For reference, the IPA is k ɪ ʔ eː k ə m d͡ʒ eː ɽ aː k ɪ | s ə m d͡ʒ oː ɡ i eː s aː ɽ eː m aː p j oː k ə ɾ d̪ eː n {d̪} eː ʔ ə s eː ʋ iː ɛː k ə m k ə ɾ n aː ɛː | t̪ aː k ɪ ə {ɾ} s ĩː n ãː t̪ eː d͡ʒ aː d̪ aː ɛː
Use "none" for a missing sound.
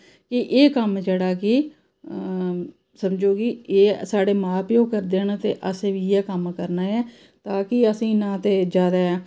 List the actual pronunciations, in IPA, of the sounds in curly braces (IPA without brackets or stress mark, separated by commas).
t̪, none